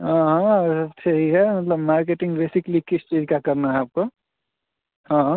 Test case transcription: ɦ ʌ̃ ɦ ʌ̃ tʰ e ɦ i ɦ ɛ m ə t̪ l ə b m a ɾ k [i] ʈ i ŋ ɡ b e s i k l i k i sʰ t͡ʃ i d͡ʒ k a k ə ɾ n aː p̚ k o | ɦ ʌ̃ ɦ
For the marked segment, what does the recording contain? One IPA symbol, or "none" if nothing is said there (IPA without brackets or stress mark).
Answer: e